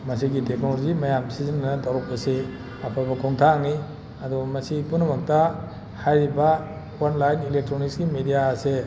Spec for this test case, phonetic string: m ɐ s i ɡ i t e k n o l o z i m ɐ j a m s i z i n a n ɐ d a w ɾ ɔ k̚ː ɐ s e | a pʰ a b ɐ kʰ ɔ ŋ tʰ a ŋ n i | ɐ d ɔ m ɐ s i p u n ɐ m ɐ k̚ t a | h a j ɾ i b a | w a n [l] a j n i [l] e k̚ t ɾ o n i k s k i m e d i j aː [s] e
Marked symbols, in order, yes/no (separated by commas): yes, yes, yes